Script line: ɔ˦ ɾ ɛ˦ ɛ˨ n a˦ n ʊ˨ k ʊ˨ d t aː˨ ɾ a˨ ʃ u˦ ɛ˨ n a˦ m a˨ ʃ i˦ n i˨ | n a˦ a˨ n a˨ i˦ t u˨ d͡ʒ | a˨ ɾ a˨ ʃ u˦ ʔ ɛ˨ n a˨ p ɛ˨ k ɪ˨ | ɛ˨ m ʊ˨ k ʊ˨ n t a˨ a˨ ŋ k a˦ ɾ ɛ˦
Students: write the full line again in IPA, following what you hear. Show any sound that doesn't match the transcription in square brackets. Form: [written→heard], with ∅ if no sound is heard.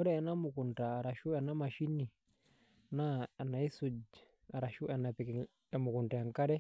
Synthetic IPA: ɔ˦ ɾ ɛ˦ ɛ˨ n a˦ [n→m] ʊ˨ k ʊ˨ [d→n] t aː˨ ɾ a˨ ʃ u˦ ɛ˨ n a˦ m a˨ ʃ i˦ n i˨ | n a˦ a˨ n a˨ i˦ [t→s] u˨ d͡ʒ | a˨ ɾ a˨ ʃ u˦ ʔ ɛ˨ n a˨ p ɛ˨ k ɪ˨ | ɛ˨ m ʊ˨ k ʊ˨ n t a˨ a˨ ŋ k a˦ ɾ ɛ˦